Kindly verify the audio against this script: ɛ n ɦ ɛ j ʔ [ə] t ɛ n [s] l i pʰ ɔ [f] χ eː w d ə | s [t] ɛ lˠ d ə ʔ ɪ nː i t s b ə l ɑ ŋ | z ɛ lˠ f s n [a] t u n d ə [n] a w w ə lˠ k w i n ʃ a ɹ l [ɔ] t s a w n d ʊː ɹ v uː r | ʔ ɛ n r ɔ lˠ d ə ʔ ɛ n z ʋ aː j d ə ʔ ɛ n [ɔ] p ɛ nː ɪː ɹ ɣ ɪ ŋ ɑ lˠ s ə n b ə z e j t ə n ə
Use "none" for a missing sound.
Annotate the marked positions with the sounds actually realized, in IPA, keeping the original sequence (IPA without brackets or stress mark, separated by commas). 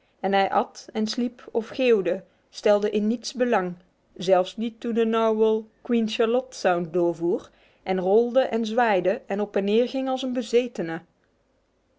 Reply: ɑ, s, f, t, i, n, ɔ, ɔ